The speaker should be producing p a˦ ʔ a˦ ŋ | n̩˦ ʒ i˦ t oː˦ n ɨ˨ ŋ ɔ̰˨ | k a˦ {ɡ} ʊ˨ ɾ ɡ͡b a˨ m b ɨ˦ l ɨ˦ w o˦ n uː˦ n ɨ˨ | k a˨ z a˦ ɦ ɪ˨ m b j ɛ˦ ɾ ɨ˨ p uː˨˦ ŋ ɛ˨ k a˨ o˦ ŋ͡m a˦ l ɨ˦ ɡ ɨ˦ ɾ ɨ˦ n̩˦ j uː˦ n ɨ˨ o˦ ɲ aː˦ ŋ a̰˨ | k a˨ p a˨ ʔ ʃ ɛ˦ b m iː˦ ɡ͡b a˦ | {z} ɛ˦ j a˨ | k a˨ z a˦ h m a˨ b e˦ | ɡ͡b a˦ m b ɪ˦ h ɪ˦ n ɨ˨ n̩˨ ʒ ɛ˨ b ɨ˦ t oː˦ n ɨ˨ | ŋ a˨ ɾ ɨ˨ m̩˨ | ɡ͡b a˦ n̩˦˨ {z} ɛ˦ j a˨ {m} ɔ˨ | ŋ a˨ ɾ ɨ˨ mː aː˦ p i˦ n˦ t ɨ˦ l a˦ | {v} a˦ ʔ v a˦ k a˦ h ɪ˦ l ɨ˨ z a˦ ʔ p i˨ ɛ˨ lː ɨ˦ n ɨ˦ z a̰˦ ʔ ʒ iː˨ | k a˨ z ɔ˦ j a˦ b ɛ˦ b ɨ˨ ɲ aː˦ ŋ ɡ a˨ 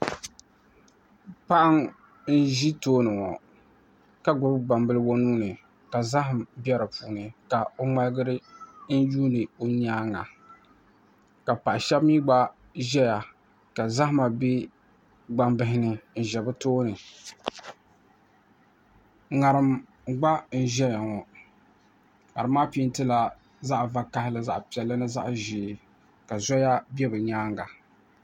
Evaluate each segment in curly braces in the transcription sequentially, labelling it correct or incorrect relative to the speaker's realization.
correct, incorrect: ʒ, incorrect: ʒ, incorrect: ŋ, incorrect: z

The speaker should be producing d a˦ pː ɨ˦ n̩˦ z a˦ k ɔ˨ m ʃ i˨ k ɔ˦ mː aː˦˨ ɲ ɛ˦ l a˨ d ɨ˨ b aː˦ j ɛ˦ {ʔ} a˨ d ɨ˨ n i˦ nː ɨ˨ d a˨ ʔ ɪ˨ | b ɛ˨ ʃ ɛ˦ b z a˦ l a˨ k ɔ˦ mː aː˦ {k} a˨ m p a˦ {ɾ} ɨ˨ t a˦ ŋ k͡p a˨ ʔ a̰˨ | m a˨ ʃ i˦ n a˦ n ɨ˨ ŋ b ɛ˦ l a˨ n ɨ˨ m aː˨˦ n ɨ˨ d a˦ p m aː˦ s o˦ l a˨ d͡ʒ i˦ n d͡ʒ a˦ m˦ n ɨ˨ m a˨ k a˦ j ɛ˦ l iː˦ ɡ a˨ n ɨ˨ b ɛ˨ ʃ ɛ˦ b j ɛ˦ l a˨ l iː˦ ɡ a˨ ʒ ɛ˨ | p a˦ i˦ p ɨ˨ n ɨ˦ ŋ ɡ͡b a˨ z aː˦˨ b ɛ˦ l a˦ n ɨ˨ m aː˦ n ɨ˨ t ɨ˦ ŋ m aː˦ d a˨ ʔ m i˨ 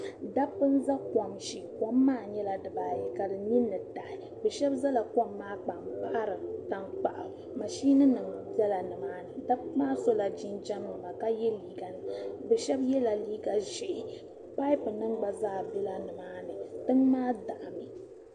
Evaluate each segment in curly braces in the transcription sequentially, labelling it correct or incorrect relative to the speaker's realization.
incorrect: k, incorrect: k͡p, correct

